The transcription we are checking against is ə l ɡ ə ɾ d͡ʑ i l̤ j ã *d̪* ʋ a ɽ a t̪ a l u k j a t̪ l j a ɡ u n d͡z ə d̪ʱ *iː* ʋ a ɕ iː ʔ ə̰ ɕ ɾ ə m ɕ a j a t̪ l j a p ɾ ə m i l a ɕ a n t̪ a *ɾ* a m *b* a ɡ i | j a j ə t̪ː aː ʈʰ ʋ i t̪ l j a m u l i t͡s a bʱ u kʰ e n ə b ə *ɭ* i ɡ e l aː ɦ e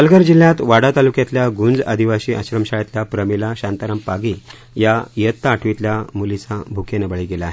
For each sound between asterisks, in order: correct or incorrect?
incorrect: t̪, incorrect: i, correct, incorrect: p, correct

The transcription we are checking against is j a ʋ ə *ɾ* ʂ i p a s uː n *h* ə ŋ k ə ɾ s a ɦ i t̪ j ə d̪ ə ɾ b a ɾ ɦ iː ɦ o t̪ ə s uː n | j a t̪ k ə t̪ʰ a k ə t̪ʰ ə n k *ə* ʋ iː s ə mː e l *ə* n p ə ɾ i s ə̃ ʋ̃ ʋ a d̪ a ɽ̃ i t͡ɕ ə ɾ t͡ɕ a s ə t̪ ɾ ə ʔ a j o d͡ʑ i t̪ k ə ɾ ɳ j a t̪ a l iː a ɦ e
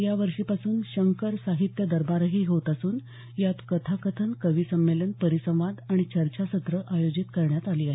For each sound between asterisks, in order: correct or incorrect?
correct, incorrect: ɕ, correct, correct

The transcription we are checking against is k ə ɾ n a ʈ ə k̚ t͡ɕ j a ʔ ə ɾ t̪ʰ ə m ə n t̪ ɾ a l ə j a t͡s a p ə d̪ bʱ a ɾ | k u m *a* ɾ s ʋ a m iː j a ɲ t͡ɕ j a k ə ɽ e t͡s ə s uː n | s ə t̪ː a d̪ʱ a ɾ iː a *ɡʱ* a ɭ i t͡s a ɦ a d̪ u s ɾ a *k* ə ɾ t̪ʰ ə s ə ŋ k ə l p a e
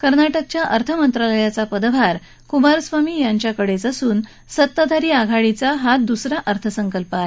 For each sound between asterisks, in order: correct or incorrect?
correct, correct, incorrect: ʔ

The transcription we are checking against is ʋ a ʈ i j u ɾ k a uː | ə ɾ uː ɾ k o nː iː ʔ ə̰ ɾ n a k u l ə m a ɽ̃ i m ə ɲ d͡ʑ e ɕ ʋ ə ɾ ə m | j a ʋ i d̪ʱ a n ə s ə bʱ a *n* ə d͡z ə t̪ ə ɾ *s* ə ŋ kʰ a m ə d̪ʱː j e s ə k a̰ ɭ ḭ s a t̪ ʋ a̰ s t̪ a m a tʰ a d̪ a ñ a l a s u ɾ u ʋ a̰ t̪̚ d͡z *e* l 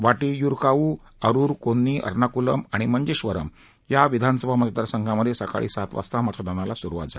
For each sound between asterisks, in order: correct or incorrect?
incorrect: m, correct, incorrect: a

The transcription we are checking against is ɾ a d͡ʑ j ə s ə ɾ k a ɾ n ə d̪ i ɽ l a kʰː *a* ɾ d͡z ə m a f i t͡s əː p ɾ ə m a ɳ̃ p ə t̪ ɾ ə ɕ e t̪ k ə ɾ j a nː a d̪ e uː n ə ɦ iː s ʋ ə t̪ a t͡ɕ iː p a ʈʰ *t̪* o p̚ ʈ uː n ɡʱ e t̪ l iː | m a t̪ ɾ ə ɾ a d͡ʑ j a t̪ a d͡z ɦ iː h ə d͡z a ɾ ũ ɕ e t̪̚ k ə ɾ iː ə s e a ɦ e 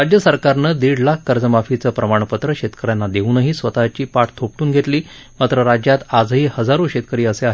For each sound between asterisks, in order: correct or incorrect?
incorrect: ə, incorrect: t̪ʰ

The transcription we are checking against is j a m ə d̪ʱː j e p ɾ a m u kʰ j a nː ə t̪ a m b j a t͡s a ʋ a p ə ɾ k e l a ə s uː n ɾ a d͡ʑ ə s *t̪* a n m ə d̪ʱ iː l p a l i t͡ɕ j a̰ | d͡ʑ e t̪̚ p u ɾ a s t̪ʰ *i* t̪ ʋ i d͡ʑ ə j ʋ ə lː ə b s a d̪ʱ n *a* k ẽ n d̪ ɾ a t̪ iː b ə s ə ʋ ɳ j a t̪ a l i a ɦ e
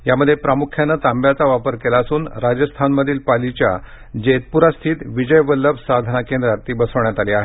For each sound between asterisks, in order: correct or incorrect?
incorrect: t̪ʰ, incorrect: iː, correct

